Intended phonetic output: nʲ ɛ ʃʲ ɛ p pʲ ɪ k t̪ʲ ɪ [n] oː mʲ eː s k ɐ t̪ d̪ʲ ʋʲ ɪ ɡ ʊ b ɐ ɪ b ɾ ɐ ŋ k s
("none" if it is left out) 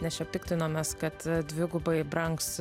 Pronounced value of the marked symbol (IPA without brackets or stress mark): n